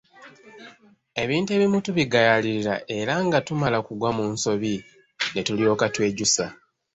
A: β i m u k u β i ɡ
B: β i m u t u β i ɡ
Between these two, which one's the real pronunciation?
B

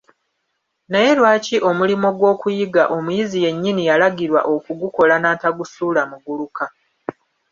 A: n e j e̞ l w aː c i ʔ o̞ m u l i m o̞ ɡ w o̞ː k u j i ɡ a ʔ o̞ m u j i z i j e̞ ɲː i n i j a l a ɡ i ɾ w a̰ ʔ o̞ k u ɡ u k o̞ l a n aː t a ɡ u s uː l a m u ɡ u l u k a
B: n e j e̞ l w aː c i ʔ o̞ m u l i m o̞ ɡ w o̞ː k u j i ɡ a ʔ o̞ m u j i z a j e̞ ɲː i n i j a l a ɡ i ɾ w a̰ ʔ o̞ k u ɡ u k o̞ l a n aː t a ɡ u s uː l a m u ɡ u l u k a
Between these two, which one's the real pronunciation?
A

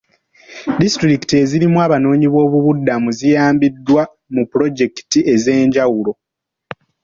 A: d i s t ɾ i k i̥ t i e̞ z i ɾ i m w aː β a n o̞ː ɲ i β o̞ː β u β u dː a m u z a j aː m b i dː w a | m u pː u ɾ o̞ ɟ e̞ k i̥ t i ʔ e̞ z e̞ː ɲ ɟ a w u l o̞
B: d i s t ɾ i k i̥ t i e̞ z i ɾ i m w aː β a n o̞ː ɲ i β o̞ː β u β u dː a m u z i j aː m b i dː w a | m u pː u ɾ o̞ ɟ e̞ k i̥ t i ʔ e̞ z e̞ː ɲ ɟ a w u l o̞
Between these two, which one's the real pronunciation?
B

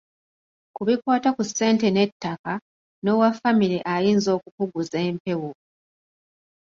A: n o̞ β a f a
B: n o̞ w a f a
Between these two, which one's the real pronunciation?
B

